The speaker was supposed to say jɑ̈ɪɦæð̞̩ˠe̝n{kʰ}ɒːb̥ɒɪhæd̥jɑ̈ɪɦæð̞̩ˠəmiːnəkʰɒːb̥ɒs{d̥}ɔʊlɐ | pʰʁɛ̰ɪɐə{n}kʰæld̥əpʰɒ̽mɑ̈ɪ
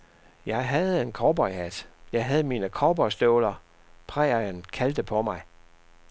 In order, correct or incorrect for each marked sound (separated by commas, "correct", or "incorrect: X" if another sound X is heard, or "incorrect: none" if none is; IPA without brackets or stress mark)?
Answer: correct, correct, correct